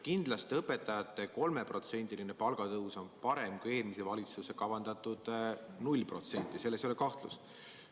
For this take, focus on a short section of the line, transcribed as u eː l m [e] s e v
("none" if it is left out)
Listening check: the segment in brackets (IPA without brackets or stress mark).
i